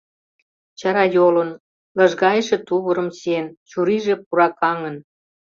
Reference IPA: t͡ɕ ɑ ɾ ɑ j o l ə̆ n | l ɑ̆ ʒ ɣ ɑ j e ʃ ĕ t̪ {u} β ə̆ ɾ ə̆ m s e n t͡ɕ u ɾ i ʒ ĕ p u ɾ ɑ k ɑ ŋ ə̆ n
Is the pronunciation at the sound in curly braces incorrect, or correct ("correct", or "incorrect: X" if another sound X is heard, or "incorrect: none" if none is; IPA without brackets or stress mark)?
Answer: correct